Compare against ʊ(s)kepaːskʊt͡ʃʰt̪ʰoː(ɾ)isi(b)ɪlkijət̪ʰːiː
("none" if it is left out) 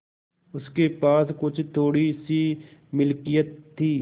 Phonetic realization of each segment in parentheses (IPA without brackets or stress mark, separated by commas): s, ɽ, m